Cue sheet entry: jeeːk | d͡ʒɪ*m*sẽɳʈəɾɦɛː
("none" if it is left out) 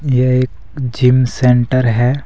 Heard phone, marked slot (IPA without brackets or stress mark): m